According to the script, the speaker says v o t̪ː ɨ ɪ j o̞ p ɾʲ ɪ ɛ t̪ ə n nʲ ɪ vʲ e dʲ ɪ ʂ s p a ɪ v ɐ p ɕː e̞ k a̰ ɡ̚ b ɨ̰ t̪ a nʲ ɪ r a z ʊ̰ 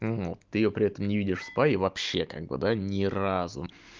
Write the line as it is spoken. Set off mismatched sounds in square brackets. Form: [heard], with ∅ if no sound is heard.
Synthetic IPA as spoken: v o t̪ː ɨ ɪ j o̞ p ɾʲ ɪ ɛ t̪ ə [m] nʲ ɪ vʲ [i] dʲ ɪ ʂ s p a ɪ v ɐ p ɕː e̞ k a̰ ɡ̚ b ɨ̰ [d̪] a nʲ ɪ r a z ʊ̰